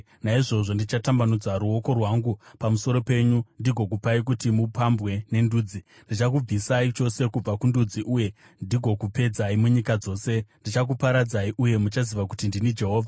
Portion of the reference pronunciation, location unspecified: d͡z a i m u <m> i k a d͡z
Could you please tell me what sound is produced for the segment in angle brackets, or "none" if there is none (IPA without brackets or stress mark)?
ɲ